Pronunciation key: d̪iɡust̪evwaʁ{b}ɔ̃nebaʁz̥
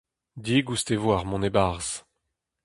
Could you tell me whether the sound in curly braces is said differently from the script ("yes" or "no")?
yes